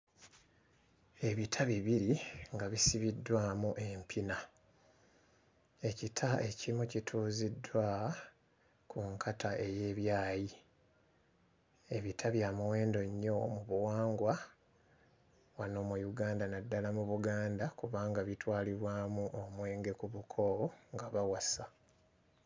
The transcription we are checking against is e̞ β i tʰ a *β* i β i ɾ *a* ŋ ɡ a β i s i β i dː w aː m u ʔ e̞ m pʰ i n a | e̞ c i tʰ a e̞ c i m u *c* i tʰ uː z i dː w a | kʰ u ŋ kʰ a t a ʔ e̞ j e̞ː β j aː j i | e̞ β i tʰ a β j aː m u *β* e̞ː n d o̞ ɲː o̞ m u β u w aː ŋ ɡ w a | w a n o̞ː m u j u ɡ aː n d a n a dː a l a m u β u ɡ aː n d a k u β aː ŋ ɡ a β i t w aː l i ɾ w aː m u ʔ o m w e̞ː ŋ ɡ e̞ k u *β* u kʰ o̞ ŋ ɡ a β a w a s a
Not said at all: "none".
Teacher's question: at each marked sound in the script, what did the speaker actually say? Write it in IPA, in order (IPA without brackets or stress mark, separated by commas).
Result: β, i, c, w, β